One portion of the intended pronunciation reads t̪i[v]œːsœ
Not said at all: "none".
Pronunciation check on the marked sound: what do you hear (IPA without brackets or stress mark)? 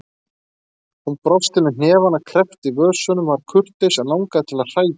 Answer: v